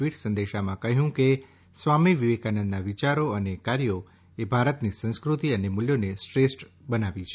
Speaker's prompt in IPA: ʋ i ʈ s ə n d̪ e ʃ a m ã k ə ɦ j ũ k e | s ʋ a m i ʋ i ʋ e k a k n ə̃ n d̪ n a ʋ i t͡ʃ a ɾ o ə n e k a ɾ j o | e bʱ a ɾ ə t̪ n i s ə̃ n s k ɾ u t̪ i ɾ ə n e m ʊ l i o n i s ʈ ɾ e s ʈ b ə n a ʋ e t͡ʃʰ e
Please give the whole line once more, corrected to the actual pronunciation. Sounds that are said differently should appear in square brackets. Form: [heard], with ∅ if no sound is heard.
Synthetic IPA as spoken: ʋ i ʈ s ə n d̪ e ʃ a m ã k ə ɦ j ũ k e | s ʋ a m i ʋ i ʋ e k a [∅] n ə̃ n d̪ n a ʋ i t͡ʃ a ɾ o ə n e k a ɾ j o | e bʱ a ɾ ə t̪ n i s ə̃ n s k ɾ u t̪ i [∅] ə n e m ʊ l [j] o n [e] s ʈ ɾ e s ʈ b ə n a ʋ [i] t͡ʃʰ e